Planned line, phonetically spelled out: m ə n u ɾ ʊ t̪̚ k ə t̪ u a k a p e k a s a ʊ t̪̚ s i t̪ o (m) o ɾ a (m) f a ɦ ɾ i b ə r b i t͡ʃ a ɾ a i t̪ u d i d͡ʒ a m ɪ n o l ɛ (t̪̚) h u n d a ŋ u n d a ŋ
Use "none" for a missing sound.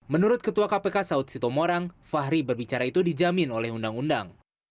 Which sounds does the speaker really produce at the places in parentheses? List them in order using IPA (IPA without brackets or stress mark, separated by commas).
m, ŋ, none